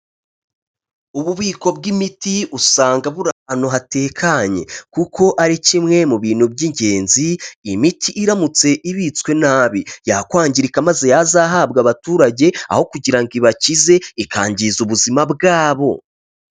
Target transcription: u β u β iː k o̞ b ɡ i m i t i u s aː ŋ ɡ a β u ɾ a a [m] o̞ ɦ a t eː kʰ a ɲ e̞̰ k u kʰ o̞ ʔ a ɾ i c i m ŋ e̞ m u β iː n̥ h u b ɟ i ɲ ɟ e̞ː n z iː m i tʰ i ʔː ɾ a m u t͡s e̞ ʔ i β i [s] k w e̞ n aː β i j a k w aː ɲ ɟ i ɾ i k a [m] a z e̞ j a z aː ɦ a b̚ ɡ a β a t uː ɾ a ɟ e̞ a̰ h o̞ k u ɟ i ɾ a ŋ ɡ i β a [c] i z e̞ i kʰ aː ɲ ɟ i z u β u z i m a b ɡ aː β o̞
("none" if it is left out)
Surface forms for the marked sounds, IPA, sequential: n, t͡s, m, c

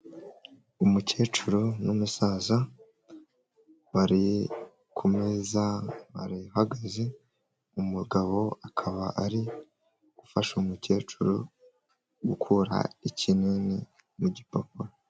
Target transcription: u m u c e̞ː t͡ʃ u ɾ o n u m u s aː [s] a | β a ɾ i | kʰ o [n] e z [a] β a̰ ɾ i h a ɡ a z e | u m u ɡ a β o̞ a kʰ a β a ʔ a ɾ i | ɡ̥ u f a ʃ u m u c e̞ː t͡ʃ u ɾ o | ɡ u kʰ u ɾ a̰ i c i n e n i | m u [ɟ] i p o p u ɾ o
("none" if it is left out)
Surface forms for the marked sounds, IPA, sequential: z, m, a, ɟ

